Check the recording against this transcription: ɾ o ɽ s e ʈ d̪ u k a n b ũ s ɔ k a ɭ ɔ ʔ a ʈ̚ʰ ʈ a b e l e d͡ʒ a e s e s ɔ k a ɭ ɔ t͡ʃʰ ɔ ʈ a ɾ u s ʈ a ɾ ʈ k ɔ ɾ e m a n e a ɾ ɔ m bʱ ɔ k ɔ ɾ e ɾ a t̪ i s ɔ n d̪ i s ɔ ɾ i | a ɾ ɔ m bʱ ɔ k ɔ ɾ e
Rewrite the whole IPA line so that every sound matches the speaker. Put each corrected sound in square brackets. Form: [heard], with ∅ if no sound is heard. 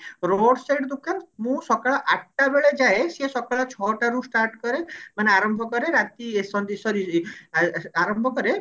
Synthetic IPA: ɾ o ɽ s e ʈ d̪ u k a n [m] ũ s ɔ k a ɭ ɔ ʔ a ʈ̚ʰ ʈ a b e [ɭ] e d͡ʒ a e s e s ɔ k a ɭ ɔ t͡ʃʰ ɔ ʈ a ɾ u s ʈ a ɾ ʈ k ɔ ɾ e m a n e a ɾ ɔ m bʱ ɔ k ɔ ɾ e ɾ a t̪ i s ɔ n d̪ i s ɔ ɾ i | a ɾ ɔ m bʱ ɔ k ɔ ɾ e